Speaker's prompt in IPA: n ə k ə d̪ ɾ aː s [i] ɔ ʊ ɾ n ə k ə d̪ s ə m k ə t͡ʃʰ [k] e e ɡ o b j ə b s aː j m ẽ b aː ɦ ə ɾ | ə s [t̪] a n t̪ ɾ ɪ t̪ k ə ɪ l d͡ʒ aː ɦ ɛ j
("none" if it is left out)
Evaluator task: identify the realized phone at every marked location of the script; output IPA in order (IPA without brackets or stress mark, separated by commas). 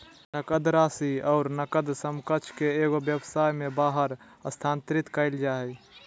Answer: i, k, t̪ʰ